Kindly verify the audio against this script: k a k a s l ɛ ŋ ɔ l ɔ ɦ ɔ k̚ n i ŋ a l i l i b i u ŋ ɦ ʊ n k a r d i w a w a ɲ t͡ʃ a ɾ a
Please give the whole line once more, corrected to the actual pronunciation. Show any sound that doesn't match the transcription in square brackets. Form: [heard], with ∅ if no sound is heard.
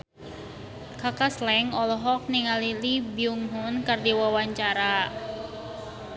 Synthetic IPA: k a k a s l ɛ ŋ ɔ l ɔ ɦ ɔ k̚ n i ŋ a l i l i b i u ŋ ɦ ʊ n k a r d i w a w a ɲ t͡ʃ a ɾ a